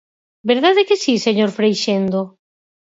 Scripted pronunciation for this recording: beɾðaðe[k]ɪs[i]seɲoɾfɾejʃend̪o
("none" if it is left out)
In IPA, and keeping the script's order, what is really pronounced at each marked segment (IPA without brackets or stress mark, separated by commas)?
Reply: k, i